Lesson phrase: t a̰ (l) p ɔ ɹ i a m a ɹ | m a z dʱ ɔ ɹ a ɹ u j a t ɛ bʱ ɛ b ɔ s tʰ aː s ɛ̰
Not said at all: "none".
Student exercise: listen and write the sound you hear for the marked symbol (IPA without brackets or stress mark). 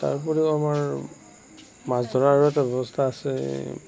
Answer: ɹ